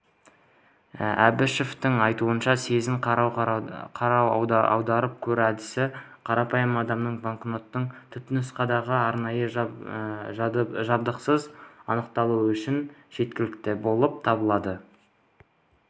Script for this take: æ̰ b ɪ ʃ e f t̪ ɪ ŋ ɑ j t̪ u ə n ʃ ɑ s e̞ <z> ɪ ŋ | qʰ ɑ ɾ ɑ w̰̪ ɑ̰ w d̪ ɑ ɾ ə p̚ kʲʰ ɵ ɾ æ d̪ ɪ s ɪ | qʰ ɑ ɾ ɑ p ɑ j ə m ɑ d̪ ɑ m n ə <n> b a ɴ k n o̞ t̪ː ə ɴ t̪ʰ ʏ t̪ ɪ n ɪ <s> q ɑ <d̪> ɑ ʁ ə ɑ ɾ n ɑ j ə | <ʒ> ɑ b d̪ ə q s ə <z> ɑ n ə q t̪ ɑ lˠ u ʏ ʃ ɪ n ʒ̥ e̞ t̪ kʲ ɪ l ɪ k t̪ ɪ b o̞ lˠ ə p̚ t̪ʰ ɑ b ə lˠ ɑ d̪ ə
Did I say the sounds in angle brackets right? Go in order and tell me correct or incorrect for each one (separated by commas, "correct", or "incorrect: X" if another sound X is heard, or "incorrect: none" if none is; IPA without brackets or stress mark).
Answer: correct, incorrect: ɴ, correct, correct, correct, correct